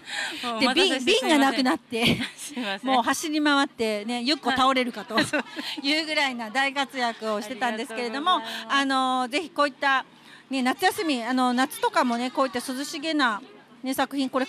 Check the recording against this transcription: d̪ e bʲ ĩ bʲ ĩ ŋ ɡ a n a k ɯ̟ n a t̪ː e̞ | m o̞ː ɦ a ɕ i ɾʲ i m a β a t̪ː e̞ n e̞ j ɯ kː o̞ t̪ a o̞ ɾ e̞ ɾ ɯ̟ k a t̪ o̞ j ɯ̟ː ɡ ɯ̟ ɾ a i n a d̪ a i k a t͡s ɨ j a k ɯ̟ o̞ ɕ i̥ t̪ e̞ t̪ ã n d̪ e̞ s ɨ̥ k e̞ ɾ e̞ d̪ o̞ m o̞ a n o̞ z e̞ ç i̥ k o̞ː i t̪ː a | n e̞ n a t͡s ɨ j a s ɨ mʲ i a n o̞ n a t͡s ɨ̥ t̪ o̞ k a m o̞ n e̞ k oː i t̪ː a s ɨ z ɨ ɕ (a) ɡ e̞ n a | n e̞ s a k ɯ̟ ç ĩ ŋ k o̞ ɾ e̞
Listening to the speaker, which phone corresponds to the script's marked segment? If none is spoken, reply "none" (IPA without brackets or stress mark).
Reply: i